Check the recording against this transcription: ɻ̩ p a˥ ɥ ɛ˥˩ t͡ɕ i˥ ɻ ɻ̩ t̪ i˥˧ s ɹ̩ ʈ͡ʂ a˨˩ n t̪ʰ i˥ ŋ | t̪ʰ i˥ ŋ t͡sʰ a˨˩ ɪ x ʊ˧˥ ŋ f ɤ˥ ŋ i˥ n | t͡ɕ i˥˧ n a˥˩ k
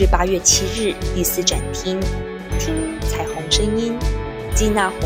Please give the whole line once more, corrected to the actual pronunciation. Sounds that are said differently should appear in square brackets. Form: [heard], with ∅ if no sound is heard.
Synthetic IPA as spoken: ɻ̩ p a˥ ɥ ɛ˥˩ [t͡ɕʰ] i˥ ɻ ɻ̩ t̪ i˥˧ s ɹ̩ ʈ͡ʂ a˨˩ n t̪ʰ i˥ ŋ | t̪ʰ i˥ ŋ t͡sʰ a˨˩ ɪ x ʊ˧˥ ŋ [ʂ] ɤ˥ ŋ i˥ n | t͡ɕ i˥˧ n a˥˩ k